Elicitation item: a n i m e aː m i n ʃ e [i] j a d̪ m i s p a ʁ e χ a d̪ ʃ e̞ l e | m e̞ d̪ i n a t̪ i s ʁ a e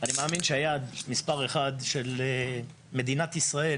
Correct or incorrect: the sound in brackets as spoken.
incorrect: a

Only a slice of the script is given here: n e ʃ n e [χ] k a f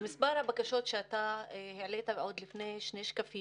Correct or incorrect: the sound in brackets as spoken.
incorrect: ʃ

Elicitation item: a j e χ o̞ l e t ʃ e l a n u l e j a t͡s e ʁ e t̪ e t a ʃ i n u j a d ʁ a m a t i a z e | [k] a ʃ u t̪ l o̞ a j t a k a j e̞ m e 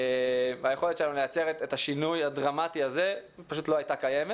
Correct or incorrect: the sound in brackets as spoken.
incorrect: p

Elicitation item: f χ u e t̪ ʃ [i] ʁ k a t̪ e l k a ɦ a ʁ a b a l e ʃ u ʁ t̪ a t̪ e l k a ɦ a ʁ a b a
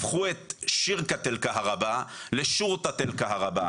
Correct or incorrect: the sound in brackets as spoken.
correct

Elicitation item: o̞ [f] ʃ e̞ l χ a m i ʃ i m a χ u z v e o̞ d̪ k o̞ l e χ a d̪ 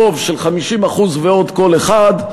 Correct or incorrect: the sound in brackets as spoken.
incorrect: v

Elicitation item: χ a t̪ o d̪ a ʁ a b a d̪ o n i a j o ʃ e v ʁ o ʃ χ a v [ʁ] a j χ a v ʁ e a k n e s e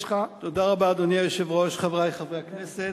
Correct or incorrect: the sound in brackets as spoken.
correct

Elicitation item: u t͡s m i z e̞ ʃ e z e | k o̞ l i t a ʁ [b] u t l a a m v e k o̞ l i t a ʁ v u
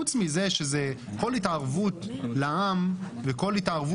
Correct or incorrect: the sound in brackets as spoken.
incorrect: v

